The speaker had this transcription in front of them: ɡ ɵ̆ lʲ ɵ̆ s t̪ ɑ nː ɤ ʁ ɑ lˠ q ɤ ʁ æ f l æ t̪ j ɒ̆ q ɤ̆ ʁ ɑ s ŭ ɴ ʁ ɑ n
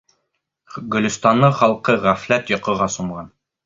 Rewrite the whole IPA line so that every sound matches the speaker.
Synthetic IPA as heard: ɡ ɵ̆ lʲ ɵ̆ s t̪ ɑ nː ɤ χ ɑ lˠ q ɤ ʁ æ f l æ t̪ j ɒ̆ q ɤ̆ ʁ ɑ s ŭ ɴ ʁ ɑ n